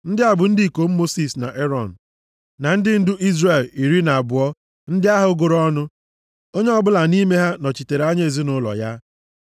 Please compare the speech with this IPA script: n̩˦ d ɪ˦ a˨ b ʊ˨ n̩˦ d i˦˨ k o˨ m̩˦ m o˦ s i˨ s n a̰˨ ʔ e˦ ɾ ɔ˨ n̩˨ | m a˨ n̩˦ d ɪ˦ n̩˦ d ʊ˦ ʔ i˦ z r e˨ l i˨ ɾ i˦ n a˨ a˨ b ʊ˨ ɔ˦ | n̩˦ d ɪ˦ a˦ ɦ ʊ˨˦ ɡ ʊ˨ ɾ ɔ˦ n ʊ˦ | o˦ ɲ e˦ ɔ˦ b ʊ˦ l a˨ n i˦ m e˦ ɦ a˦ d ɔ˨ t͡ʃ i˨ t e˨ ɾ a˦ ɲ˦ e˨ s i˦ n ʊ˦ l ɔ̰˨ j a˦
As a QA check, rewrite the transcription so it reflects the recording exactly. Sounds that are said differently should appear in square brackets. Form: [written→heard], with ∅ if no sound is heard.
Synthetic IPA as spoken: n̩˦ d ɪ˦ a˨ b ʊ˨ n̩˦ d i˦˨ k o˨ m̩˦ m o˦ s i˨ s n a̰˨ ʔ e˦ ɾ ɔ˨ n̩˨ | [m→n] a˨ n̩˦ d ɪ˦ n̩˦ d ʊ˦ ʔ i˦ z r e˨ l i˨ ɾ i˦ n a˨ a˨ b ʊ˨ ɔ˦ | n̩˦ d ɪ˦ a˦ ɦ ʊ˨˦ ɡ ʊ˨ ɾ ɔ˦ n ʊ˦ | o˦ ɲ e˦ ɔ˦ b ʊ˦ l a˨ n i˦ m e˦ ɦ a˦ [d→n] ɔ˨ t͡ʃ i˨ t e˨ ɾ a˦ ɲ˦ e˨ [s→z] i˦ n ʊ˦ l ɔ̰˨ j a˦